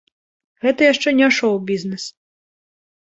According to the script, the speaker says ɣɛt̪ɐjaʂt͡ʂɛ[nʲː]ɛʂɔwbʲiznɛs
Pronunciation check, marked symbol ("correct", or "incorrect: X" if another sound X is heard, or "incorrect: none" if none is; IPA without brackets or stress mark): incorrect: nʲ